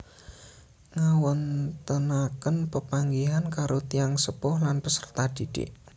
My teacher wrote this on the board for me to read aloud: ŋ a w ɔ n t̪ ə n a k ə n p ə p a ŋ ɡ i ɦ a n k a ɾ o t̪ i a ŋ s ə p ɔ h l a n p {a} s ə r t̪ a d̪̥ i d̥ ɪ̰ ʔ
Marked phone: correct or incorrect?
incorrect